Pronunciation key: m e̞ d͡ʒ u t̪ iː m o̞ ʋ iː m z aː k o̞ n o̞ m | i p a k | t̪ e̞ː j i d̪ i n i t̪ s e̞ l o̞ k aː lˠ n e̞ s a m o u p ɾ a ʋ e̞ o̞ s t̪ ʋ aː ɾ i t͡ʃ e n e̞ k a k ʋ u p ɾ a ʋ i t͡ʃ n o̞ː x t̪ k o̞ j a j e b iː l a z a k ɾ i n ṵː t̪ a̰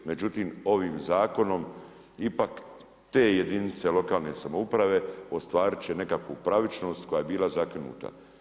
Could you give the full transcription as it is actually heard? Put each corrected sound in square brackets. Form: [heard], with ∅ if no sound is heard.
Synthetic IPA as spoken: m e̞ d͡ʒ u t̪ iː m o̞ ʋ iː m z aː k o̞ n o̞ m | i p a k | t̪ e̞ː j [e] d̪ i n i t̪ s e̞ l o̞ k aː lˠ n e̞ s a m o u p ɾ a ʋ e̞ o̞ s t̪ ʋ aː ɾ i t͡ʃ e n e̞ k a k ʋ u p ɾ a ʋ i t͡ʃ n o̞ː [s] t̪ k o̞ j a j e b iː l a z a k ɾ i n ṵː t̪ a̰